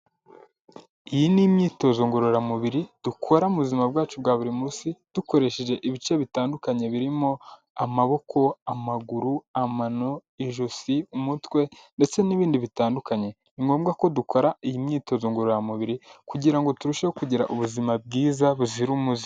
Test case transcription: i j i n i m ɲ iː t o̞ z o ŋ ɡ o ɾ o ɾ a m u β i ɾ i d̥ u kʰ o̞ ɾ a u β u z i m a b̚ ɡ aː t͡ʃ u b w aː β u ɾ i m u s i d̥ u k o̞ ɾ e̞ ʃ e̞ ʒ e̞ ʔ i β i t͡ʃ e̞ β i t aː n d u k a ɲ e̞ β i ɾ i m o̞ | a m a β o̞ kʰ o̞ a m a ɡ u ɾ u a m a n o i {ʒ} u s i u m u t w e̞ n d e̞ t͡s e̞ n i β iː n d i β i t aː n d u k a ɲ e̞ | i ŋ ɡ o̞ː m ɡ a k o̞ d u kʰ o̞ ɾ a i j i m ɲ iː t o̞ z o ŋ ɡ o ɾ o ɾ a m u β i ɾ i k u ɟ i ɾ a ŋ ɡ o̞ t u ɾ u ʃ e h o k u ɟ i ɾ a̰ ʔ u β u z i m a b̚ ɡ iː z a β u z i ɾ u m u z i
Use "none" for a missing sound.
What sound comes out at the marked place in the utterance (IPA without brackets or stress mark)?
ʒ